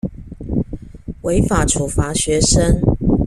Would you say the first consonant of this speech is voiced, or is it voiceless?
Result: voiced